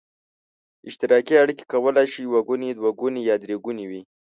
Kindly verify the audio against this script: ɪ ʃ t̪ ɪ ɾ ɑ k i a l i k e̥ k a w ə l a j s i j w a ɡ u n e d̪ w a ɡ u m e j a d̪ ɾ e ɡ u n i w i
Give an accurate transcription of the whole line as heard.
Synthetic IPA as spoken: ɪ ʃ t̪ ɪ ɾ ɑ k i a ɽ i k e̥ k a w ə l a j ʃ i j w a ɡ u n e d̪ w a ɡ u n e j ɑ d̪ ɾ e ɡ u n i w i